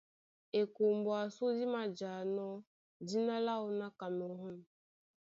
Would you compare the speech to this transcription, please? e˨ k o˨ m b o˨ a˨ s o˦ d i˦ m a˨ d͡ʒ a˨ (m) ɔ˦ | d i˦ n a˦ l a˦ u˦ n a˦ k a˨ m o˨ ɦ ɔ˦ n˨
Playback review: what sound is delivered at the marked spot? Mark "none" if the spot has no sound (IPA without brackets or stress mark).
n